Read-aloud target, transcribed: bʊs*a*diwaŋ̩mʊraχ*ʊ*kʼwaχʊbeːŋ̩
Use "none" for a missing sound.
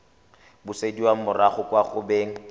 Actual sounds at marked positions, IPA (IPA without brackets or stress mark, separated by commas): e, ʊ